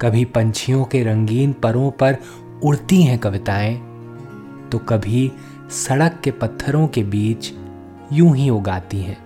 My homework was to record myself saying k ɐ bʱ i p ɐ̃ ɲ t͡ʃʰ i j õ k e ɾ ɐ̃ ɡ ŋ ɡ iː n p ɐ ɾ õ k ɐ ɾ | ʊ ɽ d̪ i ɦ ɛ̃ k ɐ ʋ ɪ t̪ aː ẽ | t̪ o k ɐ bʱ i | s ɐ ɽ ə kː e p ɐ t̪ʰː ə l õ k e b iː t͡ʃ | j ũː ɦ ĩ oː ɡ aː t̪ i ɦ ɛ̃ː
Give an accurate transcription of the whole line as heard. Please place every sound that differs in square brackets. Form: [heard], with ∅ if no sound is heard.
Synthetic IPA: k ɐ bʱ i p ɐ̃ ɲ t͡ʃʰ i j õ k e ɾ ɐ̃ [∅] ŋ ɡ iː n p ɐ ɾ õ [p] ɐ ɾ | ʊ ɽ [t̪] i ɦ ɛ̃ k ɐ ʋ ɪ t̪ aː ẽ | t̪ o k ɐ bʱ i | s ɐ ɽ ə kː e p ɐ t̪ʰː ə [ɾ] õ k e b iː t͡ʃ | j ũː ɦ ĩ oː ɡ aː t̪ i ɦ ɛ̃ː